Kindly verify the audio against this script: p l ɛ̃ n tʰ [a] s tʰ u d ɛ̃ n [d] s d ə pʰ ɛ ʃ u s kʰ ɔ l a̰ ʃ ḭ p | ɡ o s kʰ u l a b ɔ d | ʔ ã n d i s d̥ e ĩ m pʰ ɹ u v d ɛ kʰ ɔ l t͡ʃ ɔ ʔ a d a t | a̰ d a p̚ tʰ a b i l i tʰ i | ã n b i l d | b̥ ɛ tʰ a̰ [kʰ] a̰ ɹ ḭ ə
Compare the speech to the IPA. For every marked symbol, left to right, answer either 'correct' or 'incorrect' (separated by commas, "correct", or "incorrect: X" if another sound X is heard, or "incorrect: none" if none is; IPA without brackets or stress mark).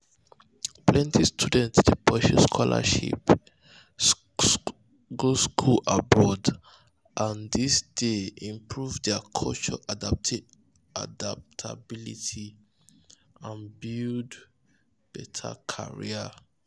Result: incorrect: i, incorrect: t, correct